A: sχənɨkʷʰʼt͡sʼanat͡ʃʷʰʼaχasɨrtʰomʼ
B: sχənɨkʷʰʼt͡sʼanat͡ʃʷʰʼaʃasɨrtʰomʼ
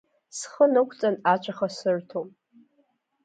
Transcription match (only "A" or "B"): A